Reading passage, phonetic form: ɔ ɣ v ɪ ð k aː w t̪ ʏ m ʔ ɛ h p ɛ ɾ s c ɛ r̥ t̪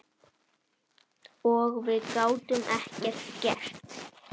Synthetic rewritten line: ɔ ɣ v ɪ ð k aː w t̪ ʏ m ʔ ɛ h c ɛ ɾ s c ɛ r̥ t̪